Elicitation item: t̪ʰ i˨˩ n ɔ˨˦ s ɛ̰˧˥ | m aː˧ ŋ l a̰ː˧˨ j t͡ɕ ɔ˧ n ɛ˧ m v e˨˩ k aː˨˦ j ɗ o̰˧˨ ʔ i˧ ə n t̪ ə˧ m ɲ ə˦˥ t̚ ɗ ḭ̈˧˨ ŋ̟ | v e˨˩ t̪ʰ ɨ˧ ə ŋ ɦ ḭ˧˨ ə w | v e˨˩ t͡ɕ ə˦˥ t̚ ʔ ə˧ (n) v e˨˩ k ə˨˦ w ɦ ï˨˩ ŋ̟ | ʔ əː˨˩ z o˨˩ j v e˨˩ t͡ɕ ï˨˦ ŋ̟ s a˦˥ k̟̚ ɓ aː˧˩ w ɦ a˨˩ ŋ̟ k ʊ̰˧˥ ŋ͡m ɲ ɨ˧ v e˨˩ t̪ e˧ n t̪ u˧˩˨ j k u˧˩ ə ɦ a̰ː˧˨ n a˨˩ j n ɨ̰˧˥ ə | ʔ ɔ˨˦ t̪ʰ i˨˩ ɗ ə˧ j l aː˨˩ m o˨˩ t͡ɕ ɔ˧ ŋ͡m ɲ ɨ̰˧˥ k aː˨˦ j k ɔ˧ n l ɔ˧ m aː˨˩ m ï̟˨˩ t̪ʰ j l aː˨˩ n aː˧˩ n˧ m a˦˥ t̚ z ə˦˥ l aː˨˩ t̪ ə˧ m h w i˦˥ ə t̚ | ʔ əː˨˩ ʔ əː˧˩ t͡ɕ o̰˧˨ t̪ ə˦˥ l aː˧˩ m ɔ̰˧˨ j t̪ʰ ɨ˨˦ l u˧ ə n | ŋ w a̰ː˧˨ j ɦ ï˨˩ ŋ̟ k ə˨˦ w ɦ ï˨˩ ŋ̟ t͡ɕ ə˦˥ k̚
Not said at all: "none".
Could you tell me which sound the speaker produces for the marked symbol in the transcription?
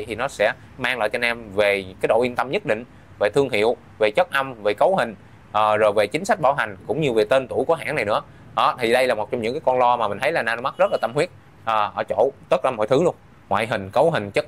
m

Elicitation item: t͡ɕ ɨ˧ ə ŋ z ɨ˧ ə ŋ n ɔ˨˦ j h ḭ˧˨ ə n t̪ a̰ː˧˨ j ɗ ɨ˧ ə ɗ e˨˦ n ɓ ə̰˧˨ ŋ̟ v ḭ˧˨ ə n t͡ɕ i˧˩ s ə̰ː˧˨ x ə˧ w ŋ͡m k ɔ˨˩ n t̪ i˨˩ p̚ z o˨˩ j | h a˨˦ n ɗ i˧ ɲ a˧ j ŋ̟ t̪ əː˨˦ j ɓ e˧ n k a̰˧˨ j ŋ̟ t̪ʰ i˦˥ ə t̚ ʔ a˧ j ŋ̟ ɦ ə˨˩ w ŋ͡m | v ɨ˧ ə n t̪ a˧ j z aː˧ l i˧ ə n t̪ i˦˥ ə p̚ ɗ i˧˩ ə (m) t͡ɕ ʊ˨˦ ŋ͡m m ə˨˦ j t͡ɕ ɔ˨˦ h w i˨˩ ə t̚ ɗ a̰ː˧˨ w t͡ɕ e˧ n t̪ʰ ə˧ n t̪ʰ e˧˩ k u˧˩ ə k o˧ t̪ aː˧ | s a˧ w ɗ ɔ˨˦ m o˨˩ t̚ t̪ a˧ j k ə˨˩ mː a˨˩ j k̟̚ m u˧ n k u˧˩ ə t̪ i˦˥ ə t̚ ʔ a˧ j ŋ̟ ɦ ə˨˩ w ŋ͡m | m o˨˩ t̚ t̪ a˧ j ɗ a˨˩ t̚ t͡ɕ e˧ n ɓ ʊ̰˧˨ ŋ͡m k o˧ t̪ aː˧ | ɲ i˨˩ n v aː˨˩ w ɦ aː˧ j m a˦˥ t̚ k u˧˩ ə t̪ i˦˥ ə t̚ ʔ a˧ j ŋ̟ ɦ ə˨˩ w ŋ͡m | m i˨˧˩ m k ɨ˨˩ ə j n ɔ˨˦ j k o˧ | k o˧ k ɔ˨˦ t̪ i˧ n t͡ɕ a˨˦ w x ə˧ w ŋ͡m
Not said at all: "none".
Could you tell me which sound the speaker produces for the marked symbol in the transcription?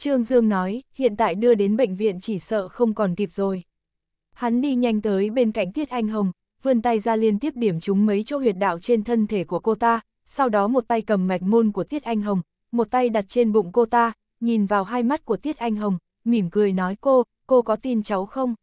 m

